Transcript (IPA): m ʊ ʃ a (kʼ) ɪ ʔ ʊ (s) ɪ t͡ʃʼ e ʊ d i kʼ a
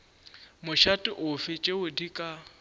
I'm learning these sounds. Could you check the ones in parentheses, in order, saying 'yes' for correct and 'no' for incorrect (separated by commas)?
no, no